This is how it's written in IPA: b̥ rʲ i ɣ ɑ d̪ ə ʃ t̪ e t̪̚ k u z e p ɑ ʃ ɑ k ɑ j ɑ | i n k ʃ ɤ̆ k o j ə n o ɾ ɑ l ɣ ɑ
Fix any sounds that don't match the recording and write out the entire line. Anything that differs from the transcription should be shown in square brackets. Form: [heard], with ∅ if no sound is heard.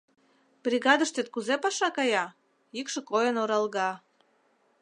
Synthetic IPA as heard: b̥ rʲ i ɣ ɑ d̪ ə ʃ t̪ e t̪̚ k u z e p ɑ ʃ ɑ k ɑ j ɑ | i [∅] k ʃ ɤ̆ k o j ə n o ɾ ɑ l ɣ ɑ